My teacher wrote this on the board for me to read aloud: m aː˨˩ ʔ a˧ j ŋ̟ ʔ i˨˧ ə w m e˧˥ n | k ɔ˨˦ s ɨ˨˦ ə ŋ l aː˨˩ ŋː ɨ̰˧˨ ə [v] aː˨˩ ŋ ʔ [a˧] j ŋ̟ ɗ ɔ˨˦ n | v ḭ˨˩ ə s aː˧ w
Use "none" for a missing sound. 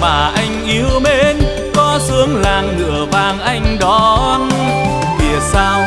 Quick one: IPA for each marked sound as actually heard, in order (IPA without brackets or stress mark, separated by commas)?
v, a˧